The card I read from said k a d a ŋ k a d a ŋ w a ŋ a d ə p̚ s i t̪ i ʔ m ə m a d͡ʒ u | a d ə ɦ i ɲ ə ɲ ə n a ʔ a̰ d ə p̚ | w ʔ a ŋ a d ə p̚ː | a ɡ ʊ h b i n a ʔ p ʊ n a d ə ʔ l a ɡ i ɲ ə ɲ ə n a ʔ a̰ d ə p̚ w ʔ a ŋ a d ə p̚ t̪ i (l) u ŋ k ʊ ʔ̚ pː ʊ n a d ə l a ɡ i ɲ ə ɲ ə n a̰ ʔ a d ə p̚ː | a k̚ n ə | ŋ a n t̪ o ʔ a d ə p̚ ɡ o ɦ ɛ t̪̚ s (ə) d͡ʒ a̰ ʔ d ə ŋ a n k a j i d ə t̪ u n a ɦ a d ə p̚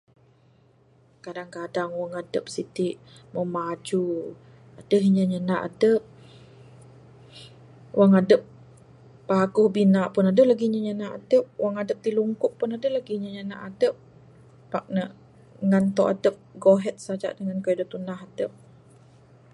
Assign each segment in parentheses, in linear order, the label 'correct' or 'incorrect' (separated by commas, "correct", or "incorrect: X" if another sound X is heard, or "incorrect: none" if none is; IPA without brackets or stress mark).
correct, incorrect: a